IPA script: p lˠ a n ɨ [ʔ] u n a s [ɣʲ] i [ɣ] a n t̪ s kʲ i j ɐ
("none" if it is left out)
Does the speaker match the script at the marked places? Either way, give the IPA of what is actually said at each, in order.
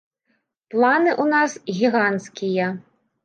ʔ, ɣʲ, ɣ

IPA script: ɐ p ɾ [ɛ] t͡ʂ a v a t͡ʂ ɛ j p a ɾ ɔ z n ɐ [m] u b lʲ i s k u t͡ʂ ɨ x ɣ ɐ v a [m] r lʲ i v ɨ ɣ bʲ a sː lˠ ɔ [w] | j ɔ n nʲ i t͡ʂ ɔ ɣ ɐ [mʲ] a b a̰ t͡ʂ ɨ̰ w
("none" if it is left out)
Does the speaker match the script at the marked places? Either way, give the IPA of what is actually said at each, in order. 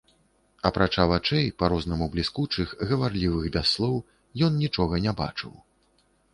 a, m, none, w, nʲ

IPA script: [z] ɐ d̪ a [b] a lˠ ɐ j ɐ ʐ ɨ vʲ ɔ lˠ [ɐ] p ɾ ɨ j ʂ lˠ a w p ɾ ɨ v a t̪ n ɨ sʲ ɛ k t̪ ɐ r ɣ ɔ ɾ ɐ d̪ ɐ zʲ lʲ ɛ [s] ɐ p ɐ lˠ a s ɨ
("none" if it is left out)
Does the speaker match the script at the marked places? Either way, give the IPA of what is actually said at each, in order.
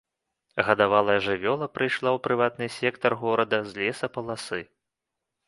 ɣ, v, ɐ, s

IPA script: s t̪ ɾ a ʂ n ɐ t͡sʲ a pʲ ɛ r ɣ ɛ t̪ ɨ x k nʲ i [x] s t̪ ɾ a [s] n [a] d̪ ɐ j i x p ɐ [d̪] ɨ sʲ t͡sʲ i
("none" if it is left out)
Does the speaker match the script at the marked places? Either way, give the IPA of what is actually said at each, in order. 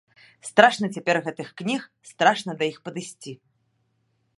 x, ʂ, ɐ, d̪

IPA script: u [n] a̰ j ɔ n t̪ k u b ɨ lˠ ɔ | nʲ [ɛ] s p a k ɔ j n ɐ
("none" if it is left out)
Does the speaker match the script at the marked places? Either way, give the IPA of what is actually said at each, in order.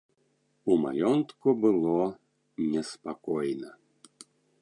m, ɛ

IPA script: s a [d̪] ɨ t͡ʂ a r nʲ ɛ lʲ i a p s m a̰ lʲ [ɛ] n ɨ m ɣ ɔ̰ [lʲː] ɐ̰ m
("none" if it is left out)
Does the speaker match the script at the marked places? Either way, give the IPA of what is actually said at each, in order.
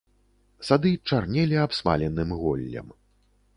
d̪, ɛ, lʲː

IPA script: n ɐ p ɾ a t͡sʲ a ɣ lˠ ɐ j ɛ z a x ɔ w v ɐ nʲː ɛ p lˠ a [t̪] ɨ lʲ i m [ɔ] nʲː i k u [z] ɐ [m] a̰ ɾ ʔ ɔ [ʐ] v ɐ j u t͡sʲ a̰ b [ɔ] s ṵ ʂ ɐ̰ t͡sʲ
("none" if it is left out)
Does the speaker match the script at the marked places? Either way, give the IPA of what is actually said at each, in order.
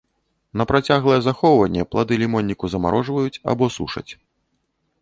d̪, ɔ, z, m, ʐ, ɔ

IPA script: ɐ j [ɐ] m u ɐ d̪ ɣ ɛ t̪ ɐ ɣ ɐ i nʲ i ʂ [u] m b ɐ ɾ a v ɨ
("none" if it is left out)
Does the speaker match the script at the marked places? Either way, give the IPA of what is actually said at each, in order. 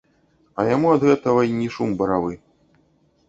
a, u

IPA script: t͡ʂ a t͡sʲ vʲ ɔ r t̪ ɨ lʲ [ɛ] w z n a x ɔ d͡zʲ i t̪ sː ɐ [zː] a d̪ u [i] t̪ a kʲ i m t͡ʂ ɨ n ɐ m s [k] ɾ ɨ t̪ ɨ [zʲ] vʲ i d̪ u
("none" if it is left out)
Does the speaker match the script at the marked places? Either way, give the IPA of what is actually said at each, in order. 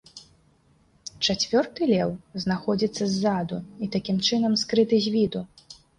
ɛ, zː, i, k, zʲ

